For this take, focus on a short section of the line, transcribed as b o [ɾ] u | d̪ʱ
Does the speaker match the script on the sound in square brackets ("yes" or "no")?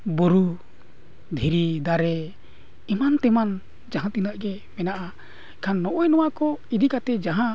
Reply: yes